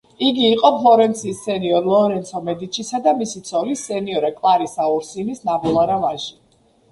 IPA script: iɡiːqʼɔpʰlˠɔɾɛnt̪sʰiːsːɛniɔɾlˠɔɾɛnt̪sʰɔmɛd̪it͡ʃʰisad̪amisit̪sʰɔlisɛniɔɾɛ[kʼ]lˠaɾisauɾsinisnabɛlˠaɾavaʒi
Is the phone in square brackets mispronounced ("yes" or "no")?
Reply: no